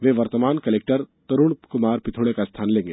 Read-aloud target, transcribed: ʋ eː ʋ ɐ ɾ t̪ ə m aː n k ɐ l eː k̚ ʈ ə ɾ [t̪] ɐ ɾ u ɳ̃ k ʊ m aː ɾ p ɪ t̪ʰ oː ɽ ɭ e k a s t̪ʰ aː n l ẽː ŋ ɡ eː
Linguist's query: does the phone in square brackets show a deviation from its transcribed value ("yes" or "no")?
no